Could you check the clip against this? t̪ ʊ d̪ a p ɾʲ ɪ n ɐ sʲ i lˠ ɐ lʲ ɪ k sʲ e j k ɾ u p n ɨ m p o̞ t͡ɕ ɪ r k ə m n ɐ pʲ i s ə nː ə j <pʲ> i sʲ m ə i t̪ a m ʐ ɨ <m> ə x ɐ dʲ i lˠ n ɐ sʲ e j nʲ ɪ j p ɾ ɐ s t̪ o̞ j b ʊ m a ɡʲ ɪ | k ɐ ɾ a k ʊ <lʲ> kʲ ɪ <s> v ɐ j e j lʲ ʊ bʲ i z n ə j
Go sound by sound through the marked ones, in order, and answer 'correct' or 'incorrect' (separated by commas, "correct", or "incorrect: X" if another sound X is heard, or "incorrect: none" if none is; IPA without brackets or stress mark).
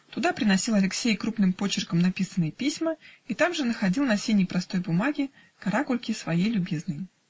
correct, incorrect: n, correct, correct